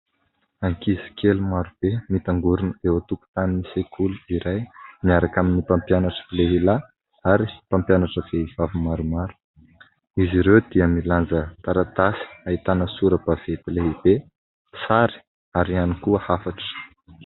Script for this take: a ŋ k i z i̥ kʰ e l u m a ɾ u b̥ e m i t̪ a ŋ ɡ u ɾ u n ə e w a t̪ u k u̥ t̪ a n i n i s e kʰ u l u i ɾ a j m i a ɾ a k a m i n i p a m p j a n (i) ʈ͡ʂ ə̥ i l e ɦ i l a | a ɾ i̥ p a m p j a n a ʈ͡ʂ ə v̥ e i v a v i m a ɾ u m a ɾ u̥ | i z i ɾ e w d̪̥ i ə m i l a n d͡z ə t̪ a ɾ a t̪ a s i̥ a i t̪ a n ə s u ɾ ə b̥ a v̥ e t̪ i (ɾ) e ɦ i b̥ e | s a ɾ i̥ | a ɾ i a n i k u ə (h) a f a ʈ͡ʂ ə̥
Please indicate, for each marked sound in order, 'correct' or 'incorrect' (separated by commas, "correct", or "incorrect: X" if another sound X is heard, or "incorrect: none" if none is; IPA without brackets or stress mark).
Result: incorrect: a, incorrect: l, correct